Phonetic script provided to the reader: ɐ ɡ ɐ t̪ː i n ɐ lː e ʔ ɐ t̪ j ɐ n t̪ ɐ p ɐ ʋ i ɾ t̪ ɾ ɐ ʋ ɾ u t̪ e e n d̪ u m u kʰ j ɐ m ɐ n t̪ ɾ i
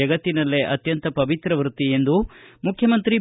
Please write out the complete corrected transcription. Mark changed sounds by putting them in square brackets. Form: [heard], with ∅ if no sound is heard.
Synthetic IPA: ɐ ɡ ɐ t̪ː i n ɐ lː e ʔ ɐ t̪ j ɐ n t̪ ɐ p ɐ ʋ i [∅] t̪ ɾ ɐ ʋ ɾ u t̪ [i] e n d̪ u m u kʰ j ɐ m ɐ n t̪ ɾ i

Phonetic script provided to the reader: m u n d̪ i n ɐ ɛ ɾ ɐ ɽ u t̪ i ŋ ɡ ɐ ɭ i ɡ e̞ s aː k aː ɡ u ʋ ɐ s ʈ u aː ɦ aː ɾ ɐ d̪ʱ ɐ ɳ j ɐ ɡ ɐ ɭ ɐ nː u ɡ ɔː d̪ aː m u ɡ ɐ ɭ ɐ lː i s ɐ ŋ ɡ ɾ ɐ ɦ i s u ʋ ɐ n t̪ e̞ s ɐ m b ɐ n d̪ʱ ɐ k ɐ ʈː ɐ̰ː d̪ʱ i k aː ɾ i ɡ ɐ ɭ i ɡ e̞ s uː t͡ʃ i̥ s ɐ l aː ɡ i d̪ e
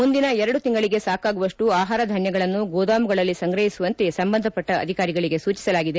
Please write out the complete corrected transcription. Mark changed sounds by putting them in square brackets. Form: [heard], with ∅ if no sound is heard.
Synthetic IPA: m u n d̪ i n ɐ ɛ ɾ ɐ ɽ u t̪ i ŋ ɡ ɐ ɭ i ɡ e̞ s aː k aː ɡ u ʋ ɐ [ʂ] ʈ u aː ɦ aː ɾ ɐ d̪ʱ ɐ ɳ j ɐ ɡ ɐ ɭ ɐ nː u ɡ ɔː d̪ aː m u ɡ ɐ ɭ ɐ lː i s ɐ ŋ ɡ ɾ ɐ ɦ i s u ʋ ɐ n t̪ e̞ s ɐ m b ɐ n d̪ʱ ɐ [p] ɐ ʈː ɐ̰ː d̪ʱ i k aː ɾ i ɡ ɐ ɭ i ɡ e̞ s uː t͡ʃ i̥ s ɐ l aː ɡ i d̪ e

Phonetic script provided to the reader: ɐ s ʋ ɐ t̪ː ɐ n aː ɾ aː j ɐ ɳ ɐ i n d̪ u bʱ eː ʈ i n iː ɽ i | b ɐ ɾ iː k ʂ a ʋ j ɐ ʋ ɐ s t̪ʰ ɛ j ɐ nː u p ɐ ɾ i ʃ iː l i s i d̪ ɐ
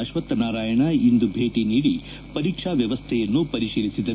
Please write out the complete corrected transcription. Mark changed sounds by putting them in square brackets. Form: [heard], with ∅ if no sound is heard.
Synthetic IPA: ɐ [ʃ] ʋ ɐ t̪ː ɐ n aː ɾ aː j ɐ ɳ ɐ i n d̪ u bʱ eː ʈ i n iː ɽ i | [p] ɐ ɾ iː k ʂ a ʋ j ɐ ʋ ɐ s t̪ʰ ɛ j ɐ nː u p ɐ ɾ i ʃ iː l i s i d̪ ɐ

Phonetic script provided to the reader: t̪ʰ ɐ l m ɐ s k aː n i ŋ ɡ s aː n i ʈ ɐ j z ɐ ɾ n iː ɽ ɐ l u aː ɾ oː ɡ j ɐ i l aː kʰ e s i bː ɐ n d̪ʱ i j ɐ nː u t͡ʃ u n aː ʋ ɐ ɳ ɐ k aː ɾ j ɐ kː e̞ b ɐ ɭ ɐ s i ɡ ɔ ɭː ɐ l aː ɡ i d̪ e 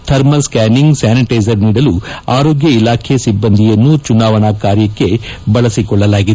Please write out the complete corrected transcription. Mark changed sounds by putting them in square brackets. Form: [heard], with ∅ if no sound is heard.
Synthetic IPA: t̪ʰ ɐ [ɾ] m ɐ s k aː n i ŋ ɡ s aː n i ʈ ɐ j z ɐ ɾ n iː ɽ ɐ l u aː ɾ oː ɡ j ɐ i l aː kʰ e s i bː ɐ n d̪ʱ i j ɐ nː u t͡ʃ u n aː ʋ ɐ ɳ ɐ k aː ɾ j ɐ kː e̞ b ɐ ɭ ɐ s i [k] ɔ ɭː ɐ l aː ɡ i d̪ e

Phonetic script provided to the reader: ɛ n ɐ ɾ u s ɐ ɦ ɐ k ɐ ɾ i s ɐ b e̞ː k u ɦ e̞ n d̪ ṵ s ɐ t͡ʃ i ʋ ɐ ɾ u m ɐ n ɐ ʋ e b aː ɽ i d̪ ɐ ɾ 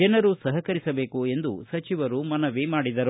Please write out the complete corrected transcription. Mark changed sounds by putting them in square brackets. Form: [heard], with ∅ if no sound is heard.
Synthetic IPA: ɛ n ɐ ɾ u s ɐ ɦ ɐ k ɐ ɾ i s ɐ b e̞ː k u [∅] e̞ n d̪ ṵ s ɐ t͡ʃ i ʋ ɐ ɾ u m ɐ n ɐ ʋ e [m] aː ɽ i d̪ ɐ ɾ

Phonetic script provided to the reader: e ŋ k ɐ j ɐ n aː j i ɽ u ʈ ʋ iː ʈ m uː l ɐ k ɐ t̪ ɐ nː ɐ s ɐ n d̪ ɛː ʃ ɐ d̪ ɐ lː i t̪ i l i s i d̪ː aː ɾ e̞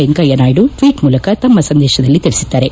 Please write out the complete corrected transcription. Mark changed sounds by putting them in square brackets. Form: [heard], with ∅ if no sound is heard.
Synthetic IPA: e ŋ k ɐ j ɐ n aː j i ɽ u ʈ ʋ iː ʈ m uː l ɐ k ɐ t̪ ɐ [mː] ɐ s ɐ n d̪ ɛː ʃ ɐ d̪ ɐ lː i t̪ i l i s i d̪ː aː ɾ e̞

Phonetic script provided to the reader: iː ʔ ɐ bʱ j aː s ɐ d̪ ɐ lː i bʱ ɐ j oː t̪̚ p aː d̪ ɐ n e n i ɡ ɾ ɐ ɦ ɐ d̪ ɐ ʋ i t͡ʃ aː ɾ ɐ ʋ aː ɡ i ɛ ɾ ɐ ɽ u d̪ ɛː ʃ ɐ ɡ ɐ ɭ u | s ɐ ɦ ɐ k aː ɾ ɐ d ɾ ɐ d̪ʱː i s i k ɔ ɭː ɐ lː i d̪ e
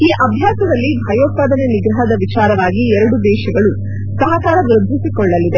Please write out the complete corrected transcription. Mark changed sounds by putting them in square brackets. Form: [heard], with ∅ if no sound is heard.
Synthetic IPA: iː ʔ ɐ bʱ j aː s ɐ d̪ ɐ lː i bʱ ɐ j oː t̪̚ p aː d̪ ɐ n e n i ɡ ɾ ɐ ɦ ɐ d̪ ɐ ʋ i t͡ʃ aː ɾ ɐ ʋ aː ɡ i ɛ ɾ ɐ ɽ u d̪ ɛː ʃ ɐ ɡ ɐ ɭ u | s ɐ ɦ ɐ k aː ɾ ɐ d ɾ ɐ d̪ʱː i s i k ɔ ɭː ɐ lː i d̪ e

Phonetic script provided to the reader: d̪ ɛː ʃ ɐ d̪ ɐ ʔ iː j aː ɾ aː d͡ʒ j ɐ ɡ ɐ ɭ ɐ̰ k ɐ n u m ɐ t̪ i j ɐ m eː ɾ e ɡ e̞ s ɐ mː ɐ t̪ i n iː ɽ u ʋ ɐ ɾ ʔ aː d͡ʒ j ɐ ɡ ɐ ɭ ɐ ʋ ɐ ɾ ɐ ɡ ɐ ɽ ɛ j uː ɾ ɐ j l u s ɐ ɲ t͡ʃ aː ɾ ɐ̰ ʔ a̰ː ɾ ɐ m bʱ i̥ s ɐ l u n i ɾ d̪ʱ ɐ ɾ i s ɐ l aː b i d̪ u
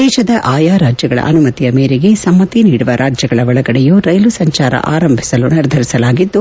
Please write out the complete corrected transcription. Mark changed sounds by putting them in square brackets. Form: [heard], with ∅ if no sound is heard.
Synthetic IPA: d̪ ɛː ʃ ɐ d̪ ɐ ʔ [aː] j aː ɾ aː d͡ʒ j ɐ ɡ ɐ ɭ ɐ̰ [ʔ] ɐ n u m ɐ t̪ i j ɐ m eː ɾ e ɡ e̞ s ɐ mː ɐ t̪ i n iː ɽ u ʋ ɐ ɾ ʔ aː d͡ʒ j ɐ ɡ ɐ ɭ ɐ ʋ ɐ [ɭ] ɐ ɡ ɐ ɽ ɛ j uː ɾ ɐ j l u s ɐ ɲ t͡ʃ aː ɾ ɐ̰ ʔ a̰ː ɾ ɐ m bʱ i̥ s ɐ l u n i ɾ d̪ʱ ɐ ɾ i s ɐ l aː [ɡ] i [d̪ː] u

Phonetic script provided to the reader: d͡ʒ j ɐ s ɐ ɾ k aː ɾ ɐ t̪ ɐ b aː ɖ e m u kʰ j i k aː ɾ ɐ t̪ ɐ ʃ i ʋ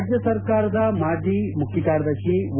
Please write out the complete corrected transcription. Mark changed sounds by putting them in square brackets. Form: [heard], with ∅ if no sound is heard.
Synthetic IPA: d͡ʒ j ɐ s ɐ ɾ k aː ɾ ɐ [d̪] ɐ [m] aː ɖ [i] m u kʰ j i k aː ɾ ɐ [d̪] ɐ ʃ i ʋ

